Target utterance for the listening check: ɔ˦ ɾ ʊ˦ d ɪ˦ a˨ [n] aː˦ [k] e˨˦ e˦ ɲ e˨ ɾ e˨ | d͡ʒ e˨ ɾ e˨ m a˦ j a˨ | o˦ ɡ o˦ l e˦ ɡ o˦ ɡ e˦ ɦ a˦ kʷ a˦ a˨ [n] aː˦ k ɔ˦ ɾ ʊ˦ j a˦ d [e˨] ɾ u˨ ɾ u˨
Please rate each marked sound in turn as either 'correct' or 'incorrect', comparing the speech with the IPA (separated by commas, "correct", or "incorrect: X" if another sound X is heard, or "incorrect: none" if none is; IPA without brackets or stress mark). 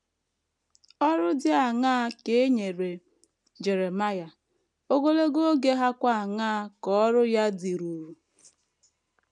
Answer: incorrect: ŋ, correct, incorrect: ŋ, incorrect: i˨